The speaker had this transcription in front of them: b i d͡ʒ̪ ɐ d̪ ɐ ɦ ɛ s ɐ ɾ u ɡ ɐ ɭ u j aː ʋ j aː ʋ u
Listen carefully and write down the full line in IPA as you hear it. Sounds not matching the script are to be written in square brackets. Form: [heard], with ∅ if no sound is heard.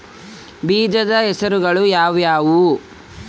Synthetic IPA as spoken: b [iː] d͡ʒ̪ ɐ d̪ ɐ ɦ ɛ s ɐ ɾ u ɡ ɐ ɭ u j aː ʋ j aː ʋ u